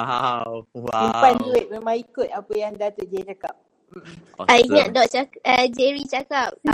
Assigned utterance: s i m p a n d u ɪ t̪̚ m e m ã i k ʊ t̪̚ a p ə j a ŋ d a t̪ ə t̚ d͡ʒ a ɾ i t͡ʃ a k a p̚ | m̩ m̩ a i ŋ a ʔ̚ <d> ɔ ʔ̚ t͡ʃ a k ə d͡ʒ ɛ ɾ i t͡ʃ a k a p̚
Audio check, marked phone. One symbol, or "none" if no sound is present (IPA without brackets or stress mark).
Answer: d